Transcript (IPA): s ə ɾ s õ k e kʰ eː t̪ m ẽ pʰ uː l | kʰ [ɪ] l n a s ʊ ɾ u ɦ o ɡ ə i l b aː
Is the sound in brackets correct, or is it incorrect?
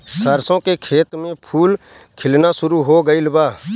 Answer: correct